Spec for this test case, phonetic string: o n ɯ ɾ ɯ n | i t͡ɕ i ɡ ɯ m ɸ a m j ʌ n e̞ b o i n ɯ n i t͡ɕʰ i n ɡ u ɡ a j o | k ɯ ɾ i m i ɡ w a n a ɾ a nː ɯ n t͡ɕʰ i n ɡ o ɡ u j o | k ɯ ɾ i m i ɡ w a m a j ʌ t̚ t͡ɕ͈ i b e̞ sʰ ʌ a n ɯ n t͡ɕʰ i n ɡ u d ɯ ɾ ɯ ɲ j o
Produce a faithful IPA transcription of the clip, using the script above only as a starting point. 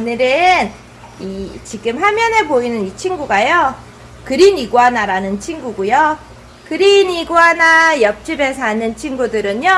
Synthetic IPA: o n ɯ ɾ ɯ n | i t͡ɕ i ɡ ɯ m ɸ a m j ʌ n e̞ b o i n ɯ n i t͡ɕʰ i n ɡ u ɡ a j o | k ɯ ɾ i n i ɡ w a n a ɾ a n ɯ n t͡ɕʰ i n ɡ u ɡ u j o | k ɯ ɾ i n i ɡ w a n a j ʌ p̚ t͡ɕ͈ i b e̞ sʰ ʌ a n ɯ n t͡ɕʰ i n ɡ u d ɯ ɾ ɯ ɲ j o